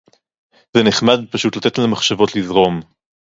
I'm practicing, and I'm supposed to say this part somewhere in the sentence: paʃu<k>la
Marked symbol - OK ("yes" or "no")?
no